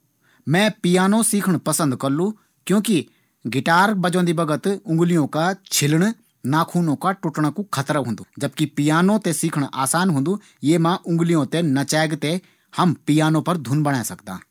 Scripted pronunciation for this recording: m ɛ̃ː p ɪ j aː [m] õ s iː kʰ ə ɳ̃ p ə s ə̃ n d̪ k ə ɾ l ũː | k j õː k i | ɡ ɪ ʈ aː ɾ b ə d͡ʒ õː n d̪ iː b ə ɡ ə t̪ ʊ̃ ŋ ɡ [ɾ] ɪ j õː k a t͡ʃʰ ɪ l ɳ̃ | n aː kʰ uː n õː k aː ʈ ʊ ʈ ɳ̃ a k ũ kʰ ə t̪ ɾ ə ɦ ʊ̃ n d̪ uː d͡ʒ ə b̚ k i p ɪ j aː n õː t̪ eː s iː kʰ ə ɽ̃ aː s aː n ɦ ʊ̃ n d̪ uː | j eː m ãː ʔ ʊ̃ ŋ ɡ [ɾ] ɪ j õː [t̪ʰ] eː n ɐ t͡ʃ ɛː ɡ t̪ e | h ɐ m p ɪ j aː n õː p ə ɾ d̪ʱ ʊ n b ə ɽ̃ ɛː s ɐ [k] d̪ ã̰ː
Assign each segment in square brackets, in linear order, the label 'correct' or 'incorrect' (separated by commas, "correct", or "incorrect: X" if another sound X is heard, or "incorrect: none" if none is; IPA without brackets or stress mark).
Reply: incorrect: n, incorrect: l, incorrect: l, incorrect: t̪, correct